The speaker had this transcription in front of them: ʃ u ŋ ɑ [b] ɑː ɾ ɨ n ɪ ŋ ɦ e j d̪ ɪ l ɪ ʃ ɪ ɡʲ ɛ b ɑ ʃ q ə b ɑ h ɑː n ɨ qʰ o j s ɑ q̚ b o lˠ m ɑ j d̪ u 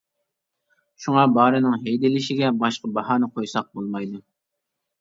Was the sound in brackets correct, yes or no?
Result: yes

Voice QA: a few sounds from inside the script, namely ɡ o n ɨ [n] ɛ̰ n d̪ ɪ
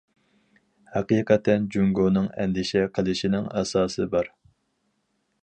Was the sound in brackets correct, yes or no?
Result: no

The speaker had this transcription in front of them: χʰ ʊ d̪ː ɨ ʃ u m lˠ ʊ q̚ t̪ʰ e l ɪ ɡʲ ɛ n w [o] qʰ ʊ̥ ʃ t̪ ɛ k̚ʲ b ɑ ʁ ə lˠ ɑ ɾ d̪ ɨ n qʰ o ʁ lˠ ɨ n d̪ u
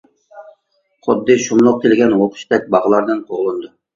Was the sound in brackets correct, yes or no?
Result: yes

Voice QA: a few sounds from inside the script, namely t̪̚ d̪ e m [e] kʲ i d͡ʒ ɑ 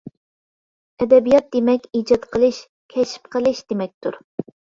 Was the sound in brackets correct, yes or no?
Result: no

